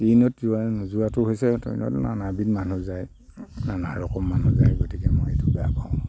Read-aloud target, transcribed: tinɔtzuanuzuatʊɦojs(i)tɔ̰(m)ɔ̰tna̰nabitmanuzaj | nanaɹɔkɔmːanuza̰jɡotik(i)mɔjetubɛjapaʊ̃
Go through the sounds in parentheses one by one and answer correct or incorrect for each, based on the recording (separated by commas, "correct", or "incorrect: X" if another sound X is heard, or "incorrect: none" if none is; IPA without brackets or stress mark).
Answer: incorrect: ɛ, incorrect: n, incorrect: ɛ